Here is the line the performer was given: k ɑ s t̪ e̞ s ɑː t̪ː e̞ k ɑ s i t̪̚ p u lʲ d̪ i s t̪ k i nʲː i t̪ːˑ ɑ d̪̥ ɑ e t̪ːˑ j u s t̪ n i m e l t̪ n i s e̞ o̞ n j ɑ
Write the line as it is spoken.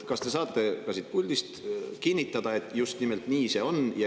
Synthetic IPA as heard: k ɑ s t̪ e̞ s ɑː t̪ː e̞ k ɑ s i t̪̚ p u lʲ d̪ i s t̪ k i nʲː i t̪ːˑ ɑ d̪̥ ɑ e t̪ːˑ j u s t̪ n i m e l t̪ n iː s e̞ o̞ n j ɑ